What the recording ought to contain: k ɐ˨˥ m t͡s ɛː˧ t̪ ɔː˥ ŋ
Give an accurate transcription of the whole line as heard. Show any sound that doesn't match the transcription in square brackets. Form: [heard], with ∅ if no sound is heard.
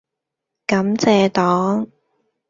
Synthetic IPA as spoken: k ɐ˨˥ m t͡s ɛː˧ t̪ [ɔː˨˥] ŋ